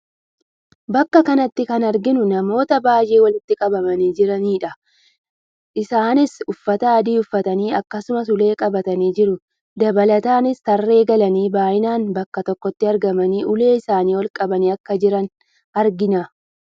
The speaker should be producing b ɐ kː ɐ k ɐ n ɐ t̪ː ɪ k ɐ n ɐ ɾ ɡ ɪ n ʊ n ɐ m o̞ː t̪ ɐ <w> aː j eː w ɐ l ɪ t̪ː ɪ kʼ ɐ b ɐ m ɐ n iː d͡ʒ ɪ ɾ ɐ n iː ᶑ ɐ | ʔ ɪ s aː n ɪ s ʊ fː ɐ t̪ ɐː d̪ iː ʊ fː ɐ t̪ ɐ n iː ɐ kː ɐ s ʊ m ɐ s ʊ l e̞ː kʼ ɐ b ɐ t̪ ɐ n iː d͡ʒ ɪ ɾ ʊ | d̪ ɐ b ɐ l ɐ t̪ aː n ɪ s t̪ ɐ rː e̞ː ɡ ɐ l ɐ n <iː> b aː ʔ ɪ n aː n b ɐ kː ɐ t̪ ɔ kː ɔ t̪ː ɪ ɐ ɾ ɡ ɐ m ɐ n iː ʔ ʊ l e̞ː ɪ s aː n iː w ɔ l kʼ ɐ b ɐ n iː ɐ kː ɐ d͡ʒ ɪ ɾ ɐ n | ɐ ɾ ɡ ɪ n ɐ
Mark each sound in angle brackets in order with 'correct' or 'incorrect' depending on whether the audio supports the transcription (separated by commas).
incorrect, correct